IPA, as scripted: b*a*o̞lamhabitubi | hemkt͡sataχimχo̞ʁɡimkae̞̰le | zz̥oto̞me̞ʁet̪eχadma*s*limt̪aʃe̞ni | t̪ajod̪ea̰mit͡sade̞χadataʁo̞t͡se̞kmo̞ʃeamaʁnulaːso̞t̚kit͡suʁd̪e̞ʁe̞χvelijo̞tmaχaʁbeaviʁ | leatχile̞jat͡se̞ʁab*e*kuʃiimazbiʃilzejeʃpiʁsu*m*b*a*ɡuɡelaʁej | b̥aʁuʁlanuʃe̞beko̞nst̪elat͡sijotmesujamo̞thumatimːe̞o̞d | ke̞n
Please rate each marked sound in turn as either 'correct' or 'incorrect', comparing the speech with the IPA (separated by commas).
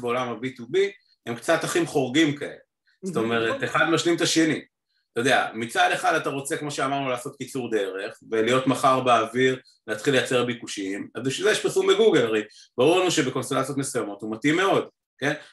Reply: incorrect, incorrect, incorrect, correct, incorrect